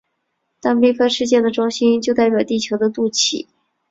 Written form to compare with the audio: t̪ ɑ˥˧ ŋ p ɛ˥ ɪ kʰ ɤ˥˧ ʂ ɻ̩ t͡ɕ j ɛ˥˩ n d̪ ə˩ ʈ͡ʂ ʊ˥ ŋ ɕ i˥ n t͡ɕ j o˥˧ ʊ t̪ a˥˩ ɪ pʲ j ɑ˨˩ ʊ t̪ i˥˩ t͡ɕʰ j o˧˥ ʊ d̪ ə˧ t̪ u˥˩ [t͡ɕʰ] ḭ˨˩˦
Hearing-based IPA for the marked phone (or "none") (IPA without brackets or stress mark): t͡ɕʰ